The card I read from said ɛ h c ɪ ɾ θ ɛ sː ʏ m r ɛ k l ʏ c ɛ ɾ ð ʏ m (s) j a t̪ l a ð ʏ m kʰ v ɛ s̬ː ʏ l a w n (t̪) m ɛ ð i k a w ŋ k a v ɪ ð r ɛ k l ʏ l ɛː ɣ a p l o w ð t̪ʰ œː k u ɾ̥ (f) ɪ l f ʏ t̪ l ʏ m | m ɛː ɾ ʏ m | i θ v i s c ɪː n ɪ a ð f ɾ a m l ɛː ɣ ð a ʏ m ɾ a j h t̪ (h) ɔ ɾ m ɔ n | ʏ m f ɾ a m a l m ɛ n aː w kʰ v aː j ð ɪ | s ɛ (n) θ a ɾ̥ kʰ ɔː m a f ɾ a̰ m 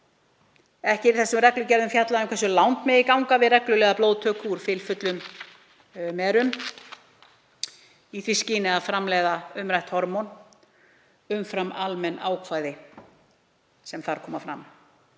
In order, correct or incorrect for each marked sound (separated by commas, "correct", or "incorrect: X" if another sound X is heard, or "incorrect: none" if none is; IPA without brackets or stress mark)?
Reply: incorrect: f, correct, correct, correct, incorrect: m